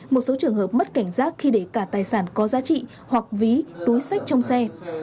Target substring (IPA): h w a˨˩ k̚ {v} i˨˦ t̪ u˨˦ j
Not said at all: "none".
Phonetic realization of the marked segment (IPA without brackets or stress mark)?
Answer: v